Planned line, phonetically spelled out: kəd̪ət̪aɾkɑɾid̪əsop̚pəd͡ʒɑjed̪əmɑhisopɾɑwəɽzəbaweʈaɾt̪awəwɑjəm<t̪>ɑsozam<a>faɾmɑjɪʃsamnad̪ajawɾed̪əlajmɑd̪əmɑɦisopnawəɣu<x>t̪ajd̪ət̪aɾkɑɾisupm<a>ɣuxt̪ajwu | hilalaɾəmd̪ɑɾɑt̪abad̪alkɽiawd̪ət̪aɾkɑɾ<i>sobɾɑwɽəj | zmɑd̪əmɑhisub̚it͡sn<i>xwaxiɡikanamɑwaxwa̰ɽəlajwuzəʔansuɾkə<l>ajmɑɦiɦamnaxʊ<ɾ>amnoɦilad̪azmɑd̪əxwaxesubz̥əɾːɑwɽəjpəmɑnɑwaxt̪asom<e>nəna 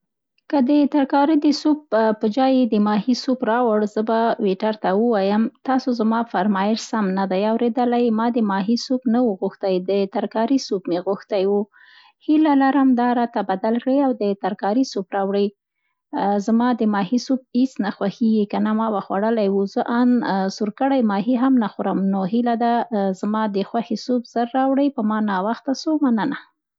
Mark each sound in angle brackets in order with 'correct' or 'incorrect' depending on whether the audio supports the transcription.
correct, incorrect: ɑ, correct, incorrect: e, correct, incorrect: a, incorrect: ɽ, correct, incorrect: a

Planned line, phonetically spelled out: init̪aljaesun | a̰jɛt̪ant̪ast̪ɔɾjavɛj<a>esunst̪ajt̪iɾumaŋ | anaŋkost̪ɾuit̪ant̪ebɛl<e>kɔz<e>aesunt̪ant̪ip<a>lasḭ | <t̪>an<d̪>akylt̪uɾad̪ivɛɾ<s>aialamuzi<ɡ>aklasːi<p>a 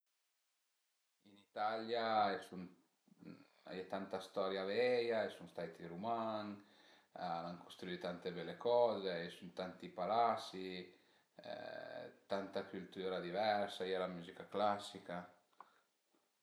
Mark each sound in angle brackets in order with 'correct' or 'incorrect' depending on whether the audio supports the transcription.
correct, correct, correct, correct, correct, incorrect: t̪, correct, incorrect: k, incorrect: k

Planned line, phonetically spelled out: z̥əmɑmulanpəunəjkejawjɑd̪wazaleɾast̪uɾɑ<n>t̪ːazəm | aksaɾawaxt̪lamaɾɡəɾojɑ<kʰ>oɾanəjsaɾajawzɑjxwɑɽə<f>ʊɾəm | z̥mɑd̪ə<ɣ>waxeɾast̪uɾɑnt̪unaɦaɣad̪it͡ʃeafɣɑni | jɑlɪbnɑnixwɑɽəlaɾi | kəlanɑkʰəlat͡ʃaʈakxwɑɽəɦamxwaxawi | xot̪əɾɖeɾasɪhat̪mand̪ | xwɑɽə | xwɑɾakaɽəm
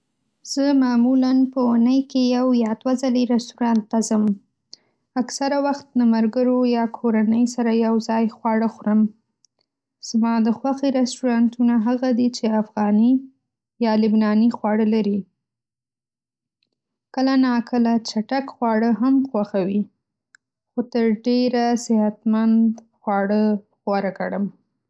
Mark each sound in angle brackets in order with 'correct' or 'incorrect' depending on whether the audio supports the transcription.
correct, correct, incorrect: x, incorrect: x

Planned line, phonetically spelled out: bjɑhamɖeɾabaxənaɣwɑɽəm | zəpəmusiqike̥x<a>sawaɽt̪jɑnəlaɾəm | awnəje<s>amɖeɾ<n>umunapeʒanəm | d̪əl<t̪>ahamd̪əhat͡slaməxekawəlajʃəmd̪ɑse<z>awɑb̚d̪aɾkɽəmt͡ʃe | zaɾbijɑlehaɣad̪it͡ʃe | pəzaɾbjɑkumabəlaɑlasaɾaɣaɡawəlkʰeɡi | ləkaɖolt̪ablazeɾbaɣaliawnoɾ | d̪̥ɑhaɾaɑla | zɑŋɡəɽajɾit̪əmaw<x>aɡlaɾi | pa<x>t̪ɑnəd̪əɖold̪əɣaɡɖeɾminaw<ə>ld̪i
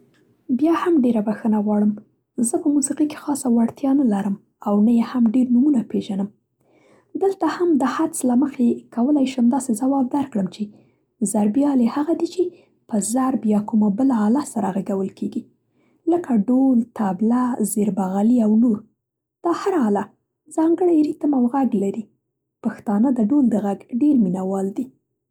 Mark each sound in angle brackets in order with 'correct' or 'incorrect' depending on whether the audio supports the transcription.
incorrect: ɑ, incorrect: h, correct, correct, correct, incorrect: ɣ, correct, incorrect: ɑ

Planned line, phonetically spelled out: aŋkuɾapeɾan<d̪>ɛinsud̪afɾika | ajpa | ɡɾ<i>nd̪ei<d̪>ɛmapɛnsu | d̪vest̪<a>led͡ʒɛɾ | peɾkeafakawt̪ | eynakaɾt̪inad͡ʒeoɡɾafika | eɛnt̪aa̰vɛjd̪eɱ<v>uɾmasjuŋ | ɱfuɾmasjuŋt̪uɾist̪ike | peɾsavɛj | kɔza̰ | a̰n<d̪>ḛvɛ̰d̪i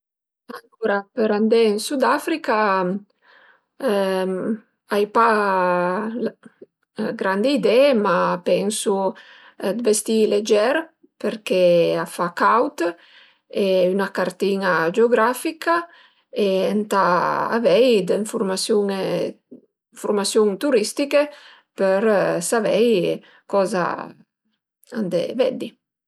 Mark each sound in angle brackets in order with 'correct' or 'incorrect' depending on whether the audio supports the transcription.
correct, incorrect: a, correct, incorrect: i, incorrect: f, correct

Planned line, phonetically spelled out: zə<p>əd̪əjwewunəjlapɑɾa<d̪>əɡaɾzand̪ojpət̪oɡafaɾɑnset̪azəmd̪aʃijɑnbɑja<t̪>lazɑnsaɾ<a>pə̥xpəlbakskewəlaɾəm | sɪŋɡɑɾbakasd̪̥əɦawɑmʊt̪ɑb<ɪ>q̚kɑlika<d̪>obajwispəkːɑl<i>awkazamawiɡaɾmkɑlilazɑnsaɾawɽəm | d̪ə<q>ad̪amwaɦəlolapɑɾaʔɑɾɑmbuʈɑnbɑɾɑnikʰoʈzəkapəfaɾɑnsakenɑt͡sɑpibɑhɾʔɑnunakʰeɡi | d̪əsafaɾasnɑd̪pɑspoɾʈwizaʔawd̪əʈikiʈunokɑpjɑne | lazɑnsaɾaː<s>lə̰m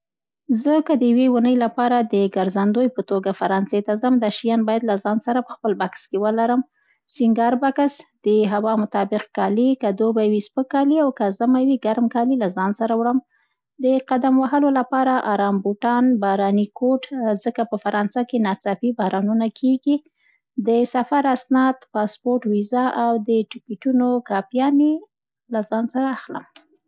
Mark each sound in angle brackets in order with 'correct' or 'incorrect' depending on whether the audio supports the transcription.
incorrect: k, correct, incorrect: d̪, correct, correct, correct, correct, correct, incorrect: x

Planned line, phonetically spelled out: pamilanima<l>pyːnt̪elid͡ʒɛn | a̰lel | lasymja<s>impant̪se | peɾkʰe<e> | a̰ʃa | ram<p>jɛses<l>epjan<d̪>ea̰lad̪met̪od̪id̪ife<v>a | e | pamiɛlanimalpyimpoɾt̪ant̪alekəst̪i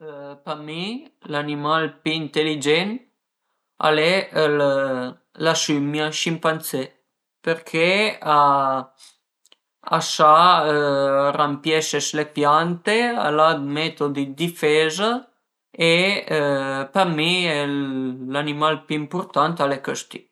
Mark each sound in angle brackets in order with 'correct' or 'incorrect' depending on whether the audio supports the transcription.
correct, incorrect: ʃ, incorrect: a, correct, correct, incorrect: t̪, incorrect: z

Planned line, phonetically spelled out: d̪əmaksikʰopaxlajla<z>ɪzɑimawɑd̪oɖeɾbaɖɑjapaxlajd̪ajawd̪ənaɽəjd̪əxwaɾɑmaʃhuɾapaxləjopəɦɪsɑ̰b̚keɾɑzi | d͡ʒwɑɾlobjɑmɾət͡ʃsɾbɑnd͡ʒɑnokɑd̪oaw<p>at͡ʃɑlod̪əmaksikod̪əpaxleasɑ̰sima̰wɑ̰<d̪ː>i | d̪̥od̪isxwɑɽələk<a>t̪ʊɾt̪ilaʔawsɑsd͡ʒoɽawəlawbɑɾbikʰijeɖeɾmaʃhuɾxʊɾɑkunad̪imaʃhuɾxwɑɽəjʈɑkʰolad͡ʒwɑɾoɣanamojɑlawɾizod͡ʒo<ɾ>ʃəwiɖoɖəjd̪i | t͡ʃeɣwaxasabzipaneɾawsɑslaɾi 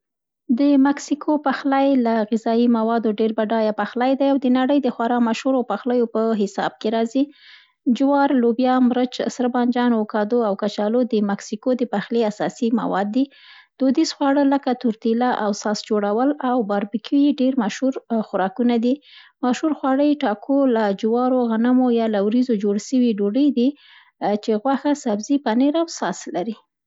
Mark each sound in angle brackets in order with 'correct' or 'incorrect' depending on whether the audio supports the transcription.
incorrect: ɣ, incorrect: k, correct, correct, incorrect: ɽ

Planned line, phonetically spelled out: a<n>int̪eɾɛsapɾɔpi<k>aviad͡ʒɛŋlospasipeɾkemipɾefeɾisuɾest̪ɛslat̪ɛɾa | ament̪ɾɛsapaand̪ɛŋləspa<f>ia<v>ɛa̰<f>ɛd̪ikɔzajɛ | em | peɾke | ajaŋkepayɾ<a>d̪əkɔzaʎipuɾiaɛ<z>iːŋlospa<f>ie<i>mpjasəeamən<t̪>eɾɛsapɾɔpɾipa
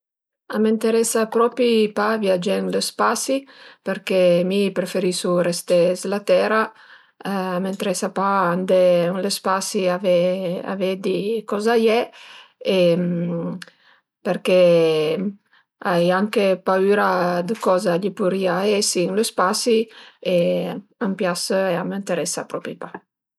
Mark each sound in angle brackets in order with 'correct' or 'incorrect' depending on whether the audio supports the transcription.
incorrect: m, incorrect: p, incorrect: s, correct, incorrect: v, correct, incorrect: s, incorrect: s, incorrect: a, correct

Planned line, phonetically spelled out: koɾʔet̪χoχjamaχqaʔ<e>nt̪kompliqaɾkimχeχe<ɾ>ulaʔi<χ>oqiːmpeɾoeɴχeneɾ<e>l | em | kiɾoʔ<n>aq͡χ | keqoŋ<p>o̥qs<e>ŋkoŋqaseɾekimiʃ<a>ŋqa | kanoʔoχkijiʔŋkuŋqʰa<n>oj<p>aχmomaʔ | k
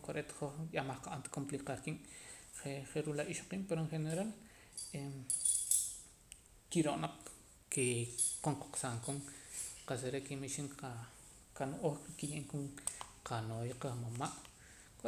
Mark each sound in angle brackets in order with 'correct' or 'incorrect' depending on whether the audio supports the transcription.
incorrect: a, correct, incorrect: ʃ, incorrect: a, correct, incorrect: q, incorrect: a, incorrect: i, correct, incorrect: q

